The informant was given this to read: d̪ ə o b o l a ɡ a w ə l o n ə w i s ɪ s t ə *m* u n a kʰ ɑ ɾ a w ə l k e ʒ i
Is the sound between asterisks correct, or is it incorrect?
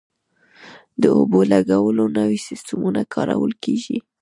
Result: correct